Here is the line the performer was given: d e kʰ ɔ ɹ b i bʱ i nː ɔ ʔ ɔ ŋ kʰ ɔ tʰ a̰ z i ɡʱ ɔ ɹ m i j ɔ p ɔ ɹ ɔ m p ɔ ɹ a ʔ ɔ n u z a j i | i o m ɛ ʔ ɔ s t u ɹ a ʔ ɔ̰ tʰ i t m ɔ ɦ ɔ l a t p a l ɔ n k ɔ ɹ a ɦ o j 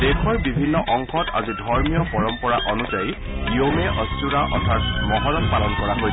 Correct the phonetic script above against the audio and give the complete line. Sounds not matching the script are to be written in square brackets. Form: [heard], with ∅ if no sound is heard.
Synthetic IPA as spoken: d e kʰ ɔ ɹ b i bʱ i nː ɔ ʔ ɔ ŋ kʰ ɔ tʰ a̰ z i [dʱ] ɔ ɹ m i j ɔ p ɔ ɹ ɔ m p ɔ ɹ a ʔ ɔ n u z a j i | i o m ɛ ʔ ɔ s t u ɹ a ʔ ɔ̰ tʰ [a] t m ɔ ɦ ɔ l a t p a l ɔ n k ɔ ɹ a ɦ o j